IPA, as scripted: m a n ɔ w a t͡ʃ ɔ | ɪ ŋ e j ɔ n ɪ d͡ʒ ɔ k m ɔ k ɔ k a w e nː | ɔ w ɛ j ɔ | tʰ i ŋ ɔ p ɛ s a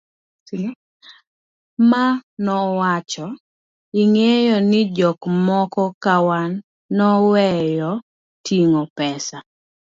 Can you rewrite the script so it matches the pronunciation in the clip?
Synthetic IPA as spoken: m a n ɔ w a t͡ʃ ɔ | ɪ ŋ e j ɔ n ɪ d͡ʒ ɔ k m ɔ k ɔ k a w a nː | ɔ w ɛ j ɔ | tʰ i ŋ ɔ p ɛ s a

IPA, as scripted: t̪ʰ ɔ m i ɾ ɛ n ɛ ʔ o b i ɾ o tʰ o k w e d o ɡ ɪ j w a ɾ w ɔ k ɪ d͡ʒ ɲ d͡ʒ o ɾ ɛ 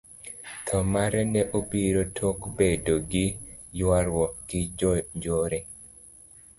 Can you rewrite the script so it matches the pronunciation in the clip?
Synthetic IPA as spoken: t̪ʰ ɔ m a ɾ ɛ n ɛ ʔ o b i ɾ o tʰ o k b e d o ɡ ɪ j w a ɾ w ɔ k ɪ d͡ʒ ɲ d͡ʒ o ɾ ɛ

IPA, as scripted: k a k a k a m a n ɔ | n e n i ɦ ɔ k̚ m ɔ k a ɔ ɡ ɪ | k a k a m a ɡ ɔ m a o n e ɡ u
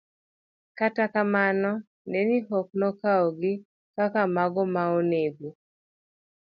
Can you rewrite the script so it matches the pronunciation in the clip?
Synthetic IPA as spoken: k a t a k a m a n ɔ | n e n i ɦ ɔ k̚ n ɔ k a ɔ ɡ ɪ | k a k a m a ɡ ɔ m a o n e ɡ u

